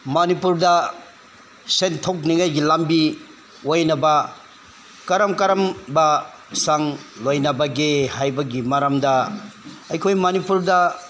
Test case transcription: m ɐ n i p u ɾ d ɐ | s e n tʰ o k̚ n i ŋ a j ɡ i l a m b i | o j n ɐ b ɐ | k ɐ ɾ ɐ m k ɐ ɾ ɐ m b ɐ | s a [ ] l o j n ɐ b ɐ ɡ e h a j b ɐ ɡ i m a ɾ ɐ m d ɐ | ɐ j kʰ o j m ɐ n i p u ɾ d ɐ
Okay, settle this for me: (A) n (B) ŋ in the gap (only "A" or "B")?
B